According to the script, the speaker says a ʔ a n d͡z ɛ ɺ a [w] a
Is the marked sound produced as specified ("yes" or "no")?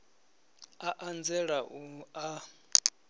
no